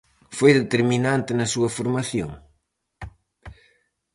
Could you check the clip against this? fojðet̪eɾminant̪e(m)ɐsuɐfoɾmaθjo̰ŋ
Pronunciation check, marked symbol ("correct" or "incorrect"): incorrect